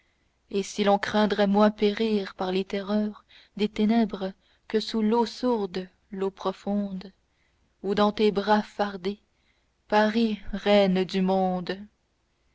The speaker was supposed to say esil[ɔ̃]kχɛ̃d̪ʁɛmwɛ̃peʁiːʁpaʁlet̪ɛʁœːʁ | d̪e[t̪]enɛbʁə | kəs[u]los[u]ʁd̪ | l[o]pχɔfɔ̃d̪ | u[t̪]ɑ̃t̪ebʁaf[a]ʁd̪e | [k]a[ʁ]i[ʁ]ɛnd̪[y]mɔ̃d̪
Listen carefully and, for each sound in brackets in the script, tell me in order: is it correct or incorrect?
correct, correct, correct, correct, correct, incorrect: d̪, correct, incorrect: p, correct, correct, correct

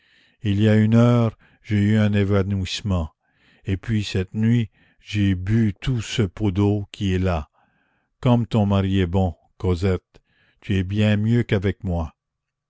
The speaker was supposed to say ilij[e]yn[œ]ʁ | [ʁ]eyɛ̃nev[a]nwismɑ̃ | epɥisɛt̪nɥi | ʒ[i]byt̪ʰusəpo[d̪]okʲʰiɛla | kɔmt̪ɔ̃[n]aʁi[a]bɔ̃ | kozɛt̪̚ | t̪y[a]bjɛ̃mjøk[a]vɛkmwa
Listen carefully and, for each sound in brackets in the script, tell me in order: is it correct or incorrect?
incorrect: a, incorrect: œː, incorrect: ʒ, correct, incorrect: e, correct, incorrect: m, incorrect: ɛ, incorrect: ɛ, correct

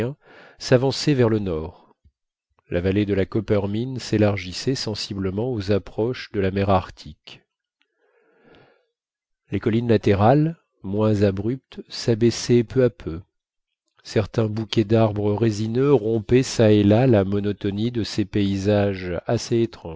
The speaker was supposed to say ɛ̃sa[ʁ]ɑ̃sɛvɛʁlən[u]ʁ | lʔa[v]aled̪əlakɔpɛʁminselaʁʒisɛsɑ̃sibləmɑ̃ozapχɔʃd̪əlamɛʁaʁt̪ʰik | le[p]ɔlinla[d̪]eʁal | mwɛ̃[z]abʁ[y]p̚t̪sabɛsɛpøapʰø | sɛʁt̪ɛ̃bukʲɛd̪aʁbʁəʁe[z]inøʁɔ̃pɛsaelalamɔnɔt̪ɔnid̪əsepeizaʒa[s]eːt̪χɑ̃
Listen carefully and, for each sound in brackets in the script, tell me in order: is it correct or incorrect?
incorrect: v, incorrect: ɔ, correct, incorrect: k, incorrect: t̪, correct, correct, correct, correct

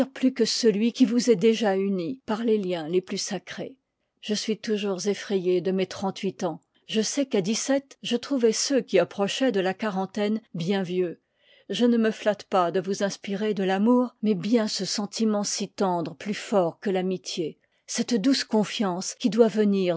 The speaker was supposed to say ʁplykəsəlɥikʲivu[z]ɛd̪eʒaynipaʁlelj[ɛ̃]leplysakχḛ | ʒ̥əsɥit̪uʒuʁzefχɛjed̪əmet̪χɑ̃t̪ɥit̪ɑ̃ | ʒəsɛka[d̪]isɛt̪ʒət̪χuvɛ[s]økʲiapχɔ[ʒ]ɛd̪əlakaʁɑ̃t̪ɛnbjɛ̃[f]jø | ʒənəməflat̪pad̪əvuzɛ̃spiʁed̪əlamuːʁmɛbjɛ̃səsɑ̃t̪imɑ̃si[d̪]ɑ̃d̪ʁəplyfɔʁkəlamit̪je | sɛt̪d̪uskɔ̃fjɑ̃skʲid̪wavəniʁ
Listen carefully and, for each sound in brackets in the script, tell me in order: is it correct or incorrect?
correct, correct, correct, correct, incorrect: ʃ, incorrect: v, incorrect: t̪

